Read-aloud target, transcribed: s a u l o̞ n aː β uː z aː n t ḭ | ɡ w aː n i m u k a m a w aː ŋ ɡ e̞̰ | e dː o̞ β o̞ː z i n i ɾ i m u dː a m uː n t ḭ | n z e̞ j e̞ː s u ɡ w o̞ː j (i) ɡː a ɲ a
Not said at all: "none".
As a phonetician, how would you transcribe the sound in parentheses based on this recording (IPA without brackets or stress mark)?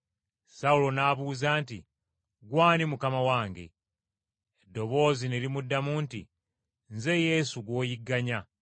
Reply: i